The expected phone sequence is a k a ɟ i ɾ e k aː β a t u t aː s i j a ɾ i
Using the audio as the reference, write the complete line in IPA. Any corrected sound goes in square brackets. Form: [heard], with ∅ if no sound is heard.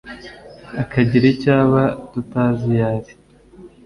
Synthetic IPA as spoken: a k a ɟ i ɾ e [c] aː β a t u t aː [z] i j a ɾ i